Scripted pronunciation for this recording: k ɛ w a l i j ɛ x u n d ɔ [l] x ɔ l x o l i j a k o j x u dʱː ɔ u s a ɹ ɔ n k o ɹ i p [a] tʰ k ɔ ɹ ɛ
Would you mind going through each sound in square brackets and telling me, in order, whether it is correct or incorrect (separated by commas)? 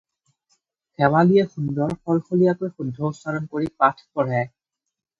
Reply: incorrect, correct